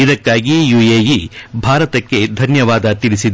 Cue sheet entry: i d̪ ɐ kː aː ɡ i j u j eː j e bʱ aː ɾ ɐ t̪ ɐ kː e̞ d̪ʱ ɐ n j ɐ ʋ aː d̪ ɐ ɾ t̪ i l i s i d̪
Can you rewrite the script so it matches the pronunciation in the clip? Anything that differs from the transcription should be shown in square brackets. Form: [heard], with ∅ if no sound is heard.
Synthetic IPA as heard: i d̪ ɐ kː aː ɡ i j u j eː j [i] bʱ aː ɾ ɐ t̪ ɐ kː e̞ d̪ʱ ɐ n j ɐ ʋ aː d̪ ɐ [∅] t̪ i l i s i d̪